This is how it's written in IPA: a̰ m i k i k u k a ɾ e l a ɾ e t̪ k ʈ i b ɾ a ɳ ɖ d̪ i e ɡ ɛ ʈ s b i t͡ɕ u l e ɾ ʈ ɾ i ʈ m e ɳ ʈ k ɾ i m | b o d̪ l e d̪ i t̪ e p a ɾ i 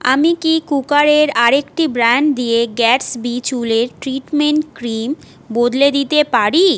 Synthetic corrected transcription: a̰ m i k i k u k a ɾ e ɾ a ɾ e k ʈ i b ɾ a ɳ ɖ d̪ i e ɡ ɛ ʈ s b i t͡ɕ u l e ɾ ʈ ɾ i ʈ m e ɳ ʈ k ɾ i m | b o d̪ l e d̪ i t̪ e p a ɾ i